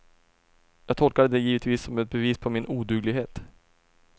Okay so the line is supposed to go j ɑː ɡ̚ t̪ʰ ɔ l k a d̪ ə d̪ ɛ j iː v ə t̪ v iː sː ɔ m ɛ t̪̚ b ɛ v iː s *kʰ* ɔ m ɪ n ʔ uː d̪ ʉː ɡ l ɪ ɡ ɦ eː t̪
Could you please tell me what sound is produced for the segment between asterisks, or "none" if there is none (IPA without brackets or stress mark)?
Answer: pʰ